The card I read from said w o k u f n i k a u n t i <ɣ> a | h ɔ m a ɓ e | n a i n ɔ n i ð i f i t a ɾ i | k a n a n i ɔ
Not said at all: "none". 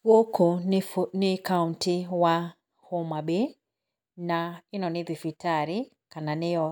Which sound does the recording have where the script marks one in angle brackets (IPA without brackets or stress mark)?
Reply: w